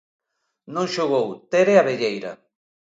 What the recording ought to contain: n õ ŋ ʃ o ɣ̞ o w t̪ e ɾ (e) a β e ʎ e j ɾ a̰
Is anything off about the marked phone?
no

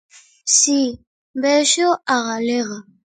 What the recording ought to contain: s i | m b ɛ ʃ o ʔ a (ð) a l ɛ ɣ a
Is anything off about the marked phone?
yes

